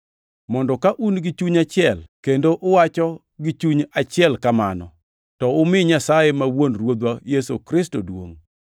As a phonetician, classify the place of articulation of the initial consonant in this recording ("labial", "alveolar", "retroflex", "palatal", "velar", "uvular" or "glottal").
labial